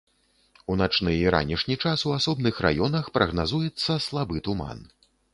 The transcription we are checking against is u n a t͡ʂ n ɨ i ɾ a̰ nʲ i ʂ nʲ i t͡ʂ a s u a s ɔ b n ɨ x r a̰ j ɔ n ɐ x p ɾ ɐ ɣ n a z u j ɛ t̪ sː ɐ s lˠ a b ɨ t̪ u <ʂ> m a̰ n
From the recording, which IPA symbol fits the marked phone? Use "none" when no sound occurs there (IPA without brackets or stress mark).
none